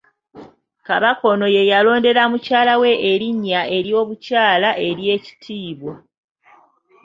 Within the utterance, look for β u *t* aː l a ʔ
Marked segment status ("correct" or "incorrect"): incorrect